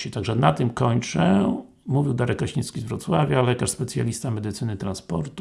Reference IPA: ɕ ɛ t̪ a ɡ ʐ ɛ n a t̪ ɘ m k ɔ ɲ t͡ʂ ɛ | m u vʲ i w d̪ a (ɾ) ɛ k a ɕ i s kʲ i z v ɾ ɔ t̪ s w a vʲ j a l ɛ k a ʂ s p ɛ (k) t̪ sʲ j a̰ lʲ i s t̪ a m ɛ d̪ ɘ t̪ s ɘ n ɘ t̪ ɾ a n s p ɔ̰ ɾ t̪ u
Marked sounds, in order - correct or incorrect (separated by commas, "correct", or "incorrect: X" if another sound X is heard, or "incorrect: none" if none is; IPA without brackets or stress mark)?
correct, incorrect: none